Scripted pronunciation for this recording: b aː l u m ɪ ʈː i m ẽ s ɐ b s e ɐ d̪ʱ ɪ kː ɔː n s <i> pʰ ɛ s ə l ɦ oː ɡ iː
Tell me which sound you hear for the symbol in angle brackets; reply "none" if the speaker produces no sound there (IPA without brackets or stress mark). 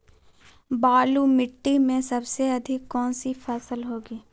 i